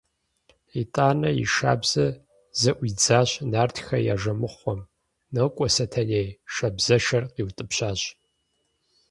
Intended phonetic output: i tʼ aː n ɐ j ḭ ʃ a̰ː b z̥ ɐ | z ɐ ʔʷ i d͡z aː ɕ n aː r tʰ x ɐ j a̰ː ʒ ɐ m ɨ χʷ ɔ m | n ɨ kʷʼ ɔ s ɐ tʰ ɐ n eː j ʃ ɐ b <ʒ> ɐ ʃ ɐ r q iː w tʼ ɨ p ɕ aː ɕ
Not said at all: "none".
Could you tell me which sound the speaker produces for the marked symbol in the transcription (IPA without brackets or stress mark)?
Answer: z